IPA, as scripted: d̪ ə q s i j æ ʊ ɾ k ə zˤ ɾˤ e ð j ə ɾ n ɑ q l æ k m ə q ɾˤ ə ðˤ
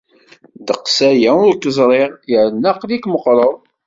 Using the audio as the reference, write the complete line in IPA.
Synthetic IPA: d̪ ə q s æ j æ ʊ ɾ k ə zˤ ɾˤ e ʁ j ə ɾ n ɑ q l i k m ə q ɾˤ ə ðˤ